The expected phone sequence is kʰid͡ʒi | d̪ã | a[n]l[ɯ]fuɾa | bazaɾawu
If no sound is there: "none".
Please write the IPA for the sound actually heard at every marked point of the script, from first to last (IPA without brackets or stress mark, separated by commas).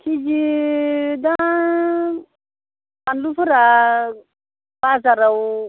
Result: n, u